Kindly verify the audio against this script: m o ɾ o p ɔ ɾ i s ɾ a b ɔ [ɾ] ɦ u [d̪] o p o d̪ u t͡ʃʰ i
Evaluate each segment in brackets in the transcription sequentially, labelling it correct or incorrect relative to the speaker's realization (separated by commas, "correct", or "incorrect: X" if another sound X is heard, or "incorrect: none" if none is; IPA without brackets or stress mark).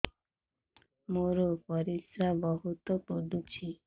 incorrect: none, incorrect: t̪